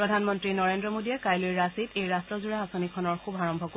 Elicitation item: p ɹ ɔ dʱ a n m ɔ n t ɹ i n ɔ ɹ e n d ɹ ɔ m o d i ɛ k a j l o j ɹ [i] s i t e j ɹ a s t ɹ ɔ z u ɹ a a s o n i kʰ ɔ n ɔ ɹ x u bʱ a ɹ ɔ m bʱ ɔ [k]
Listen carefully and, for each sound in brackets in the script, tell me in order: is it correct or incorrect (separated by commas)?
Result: incorrect, correct